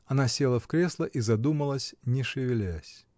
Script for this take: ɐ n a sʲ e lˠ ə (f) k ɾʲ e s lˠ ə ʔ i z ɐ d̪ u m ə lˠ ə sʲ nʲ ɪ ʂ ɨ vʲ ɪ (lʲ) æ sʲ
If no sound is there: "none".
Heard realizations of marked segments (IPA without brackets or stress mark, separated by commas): f, lʲ